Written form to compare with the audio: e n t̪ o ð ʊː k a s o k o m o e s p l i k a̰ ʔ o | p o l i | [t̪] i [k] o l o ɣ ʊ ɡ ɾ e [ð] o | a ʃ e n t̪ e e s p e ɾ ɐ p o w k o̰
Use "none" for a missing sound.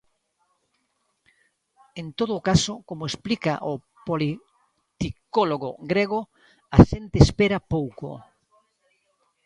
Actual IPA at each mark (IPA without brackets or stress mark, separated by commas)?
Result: t̪, k, ɣ